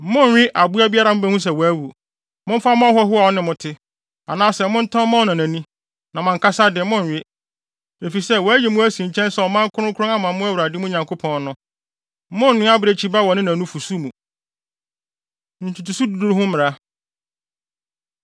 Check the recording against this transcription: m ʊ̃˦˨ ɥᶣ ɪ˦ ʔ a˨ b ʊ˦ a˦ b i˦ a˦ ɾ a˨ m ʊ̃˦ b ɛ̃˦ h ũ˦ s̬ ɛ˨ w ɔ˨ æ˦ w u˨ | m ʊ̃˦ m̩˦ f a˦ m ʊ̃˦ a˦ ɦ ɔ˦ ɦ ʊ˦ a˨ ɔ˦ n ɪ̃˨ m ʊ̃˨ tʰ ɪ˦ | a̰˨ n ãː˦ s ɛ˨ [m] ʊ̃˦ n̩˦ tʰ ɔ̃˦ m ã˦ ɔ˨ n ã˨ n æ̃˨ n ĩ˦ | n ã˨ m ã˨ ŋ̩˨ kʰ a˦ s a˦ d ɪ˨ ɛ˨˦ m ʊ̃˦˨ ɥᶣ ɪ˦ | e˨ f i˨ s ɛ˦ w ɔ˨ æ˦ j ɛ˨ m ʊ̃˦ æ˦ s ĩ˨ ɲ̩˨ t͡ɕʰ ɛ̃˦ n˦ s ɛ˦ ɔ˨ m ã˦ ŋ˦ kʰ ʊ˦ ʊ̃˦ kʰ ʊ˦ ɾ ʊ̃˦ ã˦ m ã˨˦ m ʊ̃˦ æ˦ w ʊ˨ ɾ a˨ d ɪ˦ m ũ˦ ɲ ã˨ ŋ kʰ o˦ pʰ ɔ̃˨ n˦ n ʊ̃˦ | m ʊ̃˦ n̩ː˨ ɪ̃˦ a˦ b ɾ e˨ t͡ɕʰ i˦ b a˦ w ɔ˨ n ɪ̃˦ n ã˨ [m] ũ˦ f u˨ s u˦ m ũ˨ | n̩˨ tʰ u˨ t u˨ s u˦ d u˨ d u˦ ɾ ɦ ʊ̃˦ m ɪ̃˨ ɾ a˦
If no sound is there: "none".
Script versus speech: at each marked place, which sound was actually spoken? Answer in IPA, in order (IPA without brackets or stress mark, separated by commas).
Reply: m, n